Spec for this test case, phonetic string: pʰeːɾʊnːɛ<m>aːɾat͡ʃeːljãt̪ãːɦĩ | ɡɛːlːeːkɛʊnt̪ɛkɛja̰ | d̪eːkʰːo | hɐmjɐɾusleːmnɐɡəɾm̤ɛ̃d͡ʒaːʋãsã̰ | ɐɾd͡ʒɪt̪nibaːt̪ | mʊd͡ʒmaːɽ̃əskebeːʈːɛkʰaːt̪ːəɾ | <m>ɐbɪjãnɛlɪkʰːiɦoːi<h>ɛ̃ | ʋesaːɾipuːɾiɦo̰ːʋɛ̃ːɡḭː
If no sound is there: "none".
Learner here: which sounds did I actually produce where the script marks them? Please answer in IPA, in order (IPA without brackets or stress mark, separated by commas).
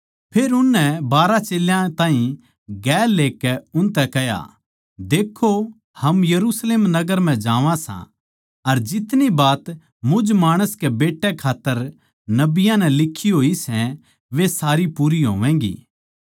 b, n, s